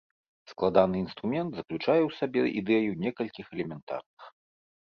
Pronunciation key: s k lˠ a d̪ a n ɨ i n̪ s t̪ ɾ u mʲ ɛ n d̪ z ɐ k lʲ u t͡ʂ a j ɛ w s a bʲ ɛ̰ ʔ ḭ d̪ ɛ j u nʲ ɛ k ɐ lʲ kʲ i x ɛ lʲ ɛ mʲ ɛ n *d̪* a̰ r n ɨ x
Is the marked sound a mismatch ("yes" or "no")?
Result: yes